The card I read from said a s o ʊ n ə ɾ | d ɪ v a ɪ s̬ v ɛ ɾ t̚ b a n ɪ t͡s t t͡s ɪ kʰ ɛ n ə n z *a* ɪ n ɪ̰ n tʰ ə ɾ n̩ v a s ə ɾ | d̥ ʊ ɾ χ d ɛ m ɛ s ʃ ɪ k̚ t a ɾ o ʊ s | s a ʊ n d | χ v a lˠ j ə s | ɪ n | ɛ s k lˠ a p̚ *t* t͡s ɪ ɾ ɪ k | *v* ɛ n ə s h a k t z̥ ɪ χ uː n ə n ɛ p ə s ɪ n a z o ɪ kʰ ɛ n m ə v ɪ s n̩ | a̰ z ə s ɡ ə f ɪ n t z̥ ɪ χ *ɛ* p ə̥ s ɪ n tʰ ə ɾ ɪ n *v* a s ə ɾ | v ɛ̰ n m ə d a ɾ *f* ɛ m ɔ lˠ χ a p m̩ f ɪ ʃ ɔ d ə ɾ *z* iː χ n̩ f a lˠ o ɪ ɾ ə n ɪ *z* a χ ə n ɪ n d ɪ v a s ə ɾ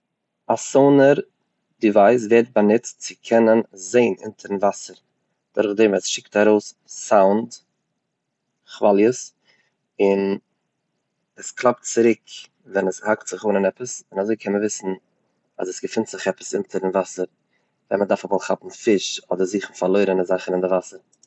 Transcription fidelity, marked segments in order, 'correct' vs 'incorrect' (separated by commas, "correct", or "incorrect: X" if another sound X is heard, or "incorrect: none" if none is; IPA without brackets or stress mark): incorrect: e, correct, correct, correct, correct, correct, correct, correct